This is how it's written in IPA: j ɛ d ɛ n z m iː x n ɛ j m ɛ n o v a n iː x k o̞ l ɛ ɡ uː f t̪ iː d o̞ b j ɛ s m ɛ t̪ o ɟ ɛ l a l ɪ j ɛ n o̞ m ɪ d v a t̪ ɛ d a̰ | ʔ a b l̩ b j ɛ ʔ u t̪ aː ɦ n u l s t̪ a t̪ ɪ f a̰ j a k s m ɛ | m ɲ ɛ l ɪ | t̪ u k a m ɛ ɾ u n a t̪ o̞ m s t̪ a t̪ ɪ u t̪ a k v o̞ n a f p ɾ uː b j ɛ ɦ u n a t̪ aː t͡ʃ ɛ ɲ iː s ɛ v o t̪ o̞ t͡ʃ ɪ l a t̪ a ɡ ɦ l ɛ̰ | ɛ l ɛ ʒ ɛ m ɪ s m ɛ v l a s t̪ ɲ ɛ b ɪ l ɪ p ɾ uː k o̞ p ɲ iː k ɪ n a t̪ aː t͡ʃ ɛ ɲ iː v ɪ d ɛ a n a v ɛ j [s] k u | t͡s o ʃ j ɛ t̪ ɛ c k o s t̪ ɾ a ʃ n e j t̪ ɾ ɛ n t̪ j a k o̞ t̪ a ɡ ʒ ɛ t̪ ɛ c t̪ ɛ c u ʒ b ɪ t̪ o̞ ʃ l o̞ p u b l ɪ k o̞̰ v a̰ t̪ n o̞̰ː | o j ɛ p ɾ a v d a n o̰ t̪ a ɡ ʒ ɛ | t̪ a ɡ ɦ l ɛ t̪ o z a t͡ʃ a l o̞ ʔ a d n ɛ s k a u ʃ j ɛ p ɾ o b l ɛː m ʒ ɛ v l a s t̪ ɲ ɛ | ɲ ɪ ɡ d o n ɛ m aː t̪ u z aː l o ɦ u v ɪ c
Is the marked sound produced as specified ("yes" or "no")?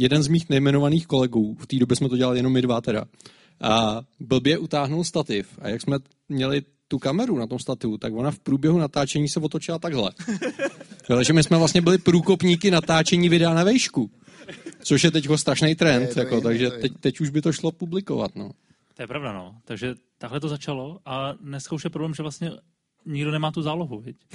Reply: no